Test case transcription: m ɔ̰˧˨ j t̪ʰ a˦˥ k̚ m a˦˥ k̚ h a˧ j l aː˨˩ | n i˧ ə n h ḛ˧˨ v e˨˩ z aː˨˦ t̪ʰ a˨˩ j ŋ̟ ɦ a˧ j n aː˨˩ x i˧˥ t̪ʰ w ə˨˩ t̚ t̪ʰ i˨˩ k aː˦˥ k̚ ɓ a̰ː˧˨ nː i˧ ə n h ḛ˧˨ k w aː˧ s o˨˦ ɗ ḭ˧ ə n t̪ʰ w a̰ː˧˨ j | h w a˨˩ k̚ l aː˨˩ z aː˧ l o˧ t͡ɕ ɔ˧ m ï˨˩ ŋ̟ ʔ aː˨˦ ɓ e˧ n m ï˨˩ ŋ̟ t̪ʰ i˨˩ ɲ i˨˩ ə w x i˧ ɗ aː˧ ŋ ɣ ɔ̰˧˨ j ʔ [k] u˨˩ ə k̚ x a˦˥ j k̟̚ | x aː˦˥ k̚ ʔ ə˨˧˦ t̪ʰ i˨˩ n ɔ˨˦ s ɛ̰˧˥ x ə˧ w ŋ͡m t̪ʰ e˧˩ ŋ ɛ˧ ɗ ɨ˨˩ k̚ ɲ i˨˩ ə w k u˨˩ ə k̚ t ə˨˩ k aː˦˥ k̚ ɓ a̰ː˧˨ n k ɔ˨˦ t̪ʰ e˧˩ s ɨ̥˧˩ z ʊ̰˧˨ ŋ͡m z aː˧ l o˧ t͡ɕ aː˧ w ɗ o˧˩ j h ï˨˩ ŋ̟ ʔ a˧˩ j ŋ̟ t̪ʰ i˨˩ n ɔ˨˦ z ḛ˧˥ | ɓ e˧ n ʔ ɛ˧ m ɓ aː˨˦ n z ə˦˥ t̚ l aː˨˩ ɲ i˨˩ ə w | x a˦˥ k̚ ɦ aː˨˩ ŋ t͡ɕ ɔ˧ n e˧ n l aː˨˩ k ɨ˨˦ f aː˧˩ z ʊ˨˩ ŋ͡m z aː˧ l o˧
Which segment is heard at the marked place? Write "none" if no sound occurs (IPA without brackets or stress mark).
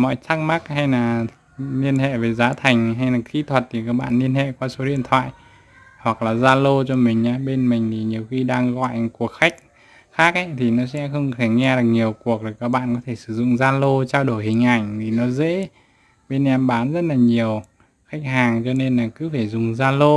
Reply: k